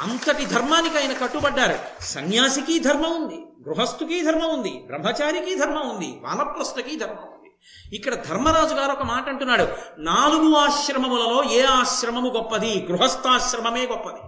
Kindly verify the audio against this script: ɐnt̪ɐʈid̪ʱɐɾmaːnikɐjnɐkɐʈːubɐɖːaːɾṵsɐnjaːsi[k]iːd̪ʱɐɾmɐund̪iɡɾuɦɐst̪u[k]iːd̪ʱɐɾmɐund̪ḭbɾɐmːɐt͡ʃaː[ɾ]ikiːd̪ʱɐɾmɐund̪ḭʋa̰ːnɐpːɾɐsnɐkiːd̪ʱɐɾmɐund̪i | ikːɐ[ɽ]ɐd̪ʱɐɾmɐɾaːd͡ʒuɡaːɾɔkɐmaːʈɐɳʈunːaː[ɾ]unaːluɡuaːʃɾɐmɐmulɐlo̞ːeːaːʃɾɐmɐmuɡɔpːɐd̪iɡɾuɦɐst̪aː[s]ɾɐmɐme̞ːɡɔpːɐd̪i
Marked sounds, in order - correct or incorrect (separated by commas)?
correct, correct, correct, correct, incorrect, incorrect